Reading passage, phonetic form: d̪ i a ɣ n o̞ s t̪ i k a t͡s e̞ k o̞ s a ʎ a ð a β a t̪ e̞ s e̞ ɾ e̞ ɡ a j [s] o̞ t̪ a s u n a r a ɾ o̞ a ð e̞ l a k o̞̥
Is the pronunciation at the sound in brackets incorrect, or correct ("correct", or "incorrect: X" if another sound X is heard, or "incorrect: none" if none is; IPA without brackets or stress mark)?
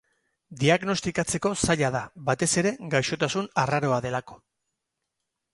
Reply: incorrect: ʃ